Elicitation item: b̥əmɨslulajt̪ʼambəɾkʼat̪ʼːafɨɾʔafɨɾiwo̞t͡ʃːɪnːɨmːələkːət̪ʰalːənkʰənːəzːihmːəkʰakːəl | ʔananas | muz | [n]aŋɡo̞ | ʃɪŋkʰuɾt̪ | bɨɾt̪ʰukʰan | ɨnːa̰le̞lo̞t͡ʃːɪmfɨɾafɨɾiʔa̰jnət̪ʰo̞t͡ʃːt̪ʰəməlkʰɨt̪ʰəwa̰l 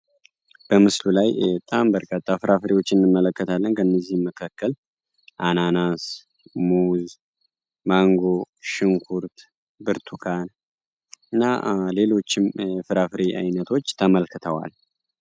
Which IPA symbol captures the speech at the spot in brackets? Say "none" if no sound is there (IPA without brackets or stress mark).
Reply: m